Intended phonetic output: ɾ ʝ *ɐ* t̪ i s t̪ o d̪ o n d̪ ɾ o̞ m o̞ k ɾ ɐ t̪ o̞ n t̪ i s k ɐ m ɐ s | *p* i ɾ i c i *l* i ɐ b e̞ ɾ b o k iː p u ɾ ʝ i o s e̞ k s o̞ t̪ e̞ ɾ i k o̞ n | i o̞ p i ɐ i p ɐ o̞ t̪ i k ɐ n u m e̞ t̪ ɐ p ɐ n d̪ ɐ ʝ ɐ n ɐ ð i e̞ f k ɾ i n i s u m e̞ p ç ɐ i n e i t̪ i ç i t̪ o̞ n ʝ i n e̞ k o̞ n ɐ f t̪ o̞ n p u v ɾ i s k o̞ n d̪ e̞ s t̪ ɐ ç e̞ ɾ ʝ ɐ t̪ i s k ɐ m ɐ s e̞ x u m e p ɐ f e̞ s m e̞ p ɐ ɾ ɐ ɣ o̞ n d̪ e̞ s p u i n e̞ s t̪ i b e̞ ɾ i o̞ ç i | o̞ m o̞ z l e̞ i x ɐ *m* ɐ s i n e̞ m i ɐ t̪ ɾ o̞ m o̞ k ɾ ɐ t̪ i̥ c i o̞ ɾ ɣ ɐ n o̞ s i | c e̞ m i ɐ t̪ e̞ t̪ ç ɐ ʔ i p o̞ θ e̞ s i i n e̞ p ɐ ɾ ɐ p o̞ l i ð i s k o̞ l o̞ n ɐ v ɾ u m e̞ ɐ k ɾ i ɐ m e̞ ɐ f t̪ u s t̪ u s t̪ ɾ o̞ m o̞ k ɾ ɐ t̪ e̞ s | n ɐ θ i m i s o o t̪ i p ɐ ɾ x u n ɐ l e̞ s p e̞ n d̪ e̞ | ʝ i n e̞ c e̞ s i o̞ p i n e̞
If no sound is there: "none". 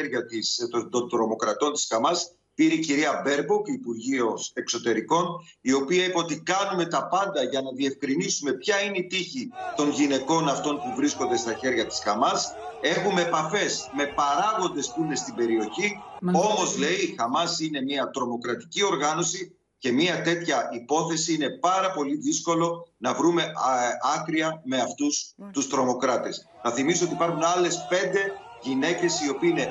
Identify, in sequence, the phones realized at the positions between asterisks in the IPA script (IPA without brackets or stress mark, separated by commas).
ɐ, p, ɾ, m